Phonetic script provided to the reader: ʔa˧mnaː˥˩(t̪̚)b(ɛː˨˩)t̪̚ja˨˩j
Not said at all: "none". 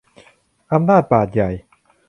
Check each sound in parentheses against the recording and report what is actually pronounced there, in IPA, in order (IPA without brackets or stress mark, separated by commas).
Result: t̪̚, aː˨˩